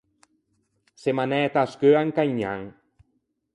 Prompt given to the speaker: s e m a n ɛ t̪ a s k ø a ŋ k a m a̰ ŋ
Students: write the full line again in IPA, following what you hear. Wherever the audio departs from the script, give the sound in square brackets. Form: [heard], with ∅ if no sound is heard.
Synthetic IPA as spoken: s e m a n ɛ t̪ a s k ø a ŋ k a [ɲ] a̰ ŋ